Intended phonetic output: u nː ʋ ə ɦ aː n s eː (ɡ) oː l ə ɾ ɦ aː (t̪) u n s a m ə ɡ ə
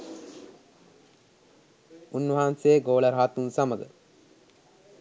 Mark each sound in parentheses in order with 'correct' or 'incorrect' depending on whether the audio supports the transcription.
correct, correct

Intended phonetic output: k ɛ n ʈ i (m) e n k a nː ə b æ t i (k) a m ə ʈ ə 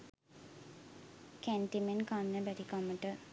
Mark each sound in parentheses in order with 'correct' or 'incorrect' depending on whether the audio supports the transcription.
correct, correct

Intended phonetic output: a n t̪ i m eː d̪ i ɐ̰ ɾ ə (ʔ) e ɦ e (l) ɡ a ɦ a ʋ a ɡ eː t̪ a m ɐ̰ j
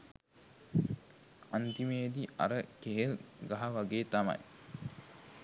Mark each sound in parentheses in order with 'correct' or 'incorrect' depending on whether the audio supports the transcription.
incorrect: k, correct

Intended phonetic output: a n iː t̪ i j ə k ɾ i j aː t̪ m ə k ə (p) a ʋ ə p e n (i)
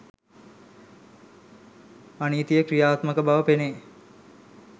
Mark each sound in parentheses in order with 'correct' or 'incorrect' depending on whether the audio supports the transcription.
incorrect: b, incorrect: e

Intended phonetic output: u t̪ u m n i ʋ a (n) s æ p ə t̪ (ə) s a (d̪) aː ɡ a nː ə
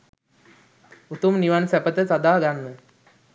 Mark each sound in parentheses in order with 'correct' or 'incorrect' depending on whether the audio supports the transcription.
correct, correct, correct

